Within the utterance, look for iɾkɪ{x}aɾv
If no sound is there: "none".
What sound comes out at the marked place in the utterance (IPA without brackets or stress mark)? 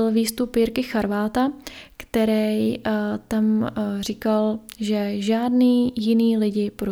x